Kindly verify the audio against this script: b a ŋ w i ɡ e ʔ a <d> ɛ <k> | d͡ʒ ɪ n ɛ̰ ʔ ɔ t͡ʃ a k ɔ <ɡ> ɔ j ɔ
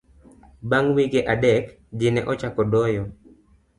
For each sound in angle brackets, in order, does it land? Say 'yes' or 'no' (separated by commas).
yes, yes, no